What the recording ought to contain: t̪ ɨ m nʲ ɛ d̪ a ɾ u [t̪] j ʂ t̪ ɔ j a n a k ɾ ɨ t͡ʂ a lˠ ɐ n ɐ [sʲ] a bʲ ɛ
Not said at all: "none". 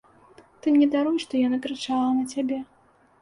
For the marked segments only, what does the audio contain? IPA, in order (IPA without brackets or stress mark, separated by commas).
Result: none, t͡sʲ